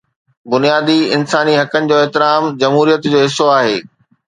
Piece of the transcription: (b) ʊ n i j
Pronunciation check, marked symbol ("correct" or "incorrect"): correct